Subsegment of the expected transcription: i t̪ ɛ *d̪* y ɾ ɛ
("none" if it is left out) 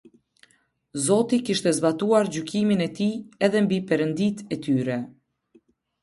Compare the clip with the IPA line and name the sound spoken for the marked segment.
t̪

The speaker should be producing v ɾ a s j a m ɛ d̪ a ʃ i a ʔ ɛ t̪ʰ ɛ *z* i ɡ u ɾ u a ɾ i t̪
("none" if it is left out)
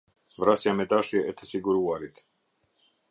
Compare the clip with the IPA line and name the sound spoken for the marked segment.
s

